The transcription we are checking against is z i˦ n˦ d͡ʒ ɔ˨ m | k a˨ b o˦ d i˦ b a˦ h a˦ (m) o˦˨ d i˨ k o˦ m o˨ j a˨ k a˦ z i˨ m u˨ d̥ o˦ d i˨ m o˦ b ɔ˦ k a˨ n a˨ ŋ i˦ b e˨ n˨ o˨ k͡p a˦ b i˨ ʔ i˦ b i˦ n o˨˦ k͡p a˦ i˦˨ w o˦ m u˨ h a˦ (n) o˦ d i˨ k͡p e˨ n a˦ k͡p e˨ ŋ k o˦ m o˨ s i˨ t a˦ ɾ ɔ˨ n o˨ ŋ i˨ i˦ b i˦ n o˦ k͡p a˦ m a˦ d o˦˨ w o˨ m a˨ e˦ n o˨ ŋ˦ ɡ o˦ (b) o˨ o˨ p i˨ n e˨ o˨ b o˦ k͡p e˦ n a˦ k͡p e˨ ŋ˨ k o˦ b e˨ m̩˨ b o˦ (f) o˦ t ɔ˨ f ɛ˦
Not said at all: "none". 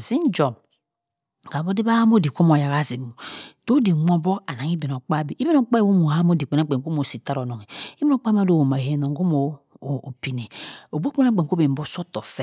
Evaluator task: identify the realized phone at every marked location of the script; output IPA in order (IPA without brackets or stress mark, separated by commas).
m, m, m, s